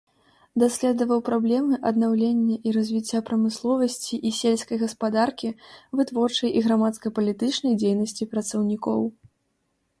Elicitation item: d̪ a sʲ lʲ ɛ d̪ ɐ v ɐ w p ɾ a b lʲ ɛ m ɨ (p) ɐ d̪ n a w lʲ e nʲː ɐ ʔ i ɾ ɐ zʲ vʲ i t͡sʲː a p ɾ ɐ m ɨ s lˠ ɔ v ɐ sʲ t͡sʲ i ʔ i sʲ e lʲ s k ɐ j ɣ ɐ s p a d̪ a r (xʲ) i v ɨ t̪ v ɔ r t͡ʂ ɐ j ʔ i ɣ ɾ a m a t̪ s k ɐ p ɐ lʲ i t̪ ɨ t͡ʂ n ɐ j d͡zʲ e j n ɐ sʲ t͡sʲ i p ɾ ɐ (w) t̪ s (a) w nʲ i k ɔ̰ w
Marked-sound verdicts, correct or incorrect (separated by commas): incorrect, incorrect, incorrect, incorrect